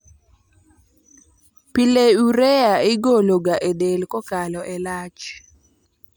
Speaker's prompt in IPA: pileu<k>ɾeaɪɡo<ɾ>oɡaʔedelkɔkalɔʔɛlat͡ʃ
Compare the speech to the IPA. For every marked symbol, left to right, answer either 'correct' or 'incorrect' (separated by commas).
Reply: incorrect, incorrect